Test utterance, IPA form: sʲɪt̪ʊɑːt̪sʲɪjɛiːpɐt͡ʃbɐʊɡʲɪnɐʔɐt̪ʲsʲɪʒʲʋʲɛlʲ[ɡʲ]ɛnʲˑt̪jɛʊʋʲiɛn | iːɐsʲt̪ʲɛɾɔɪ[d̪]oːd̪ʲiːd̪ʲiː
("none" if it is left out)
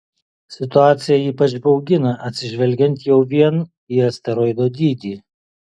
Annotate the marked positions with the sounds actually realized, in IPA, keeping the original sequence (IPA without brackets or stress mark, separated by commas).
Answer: ɡʲ, d̪